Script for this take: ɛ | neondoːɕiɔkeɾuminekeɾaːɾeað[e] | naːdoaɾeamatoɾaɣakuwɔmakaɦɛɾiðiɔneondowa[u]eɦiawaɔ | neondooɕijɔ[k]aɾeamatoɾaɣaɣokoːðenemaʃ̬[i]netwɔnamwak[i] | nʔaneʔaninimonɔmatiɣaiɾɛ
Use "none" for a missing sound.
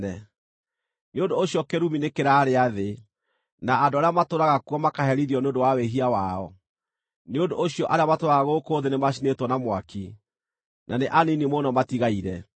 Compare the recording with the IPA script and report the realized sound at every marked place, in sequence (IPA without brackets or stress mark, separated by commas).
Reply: e, w, ʔ, i, i